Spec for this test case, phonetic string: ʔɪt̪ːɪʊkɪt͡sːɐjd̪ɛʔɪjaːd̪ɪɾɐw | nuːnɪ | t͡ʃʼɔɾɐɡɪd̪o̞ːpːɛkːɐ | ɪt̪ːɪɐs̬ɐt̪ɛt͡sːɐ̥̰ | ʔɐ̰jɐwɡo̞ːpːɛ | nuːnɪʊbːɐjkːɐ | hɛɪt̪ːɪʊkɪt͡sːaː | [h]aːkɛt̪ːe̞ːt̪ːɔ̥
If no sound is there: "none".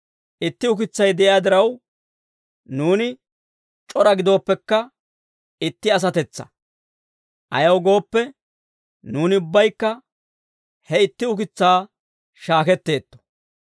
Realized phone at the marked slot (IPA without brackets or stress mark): ʃ